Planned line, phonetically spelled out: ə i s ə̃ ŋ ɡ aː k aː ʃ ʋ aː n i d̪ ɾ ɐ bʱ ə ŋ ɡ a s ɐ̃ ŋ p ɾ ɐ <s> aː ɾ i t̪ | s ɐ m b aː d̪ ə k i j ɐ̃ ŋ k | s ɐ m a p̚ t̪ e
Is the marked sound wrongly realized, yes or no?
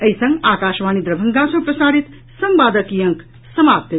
no